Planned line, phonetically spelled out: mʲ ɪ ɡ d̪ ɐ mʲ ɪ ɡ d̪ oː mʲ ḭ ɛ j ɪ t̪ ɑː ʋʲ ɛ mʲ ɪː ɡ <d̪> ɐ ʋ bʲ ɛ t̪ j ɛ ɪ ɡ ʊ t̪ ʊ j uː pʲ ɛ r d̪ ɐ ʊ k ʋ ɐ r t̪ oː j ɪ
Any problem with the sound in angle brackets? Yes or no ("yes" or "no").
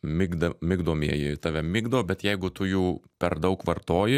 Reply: no